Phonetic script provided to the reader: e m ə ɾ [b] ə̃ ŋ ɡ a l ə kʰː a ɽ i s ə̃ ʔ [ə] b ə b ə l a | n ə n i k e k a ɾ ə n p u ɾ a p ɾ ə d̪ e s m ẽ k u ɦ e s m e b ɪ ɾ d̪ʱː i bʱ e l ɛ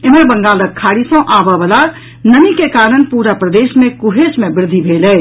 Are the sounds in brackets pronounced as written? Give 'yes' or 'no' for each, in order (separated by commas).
yes, no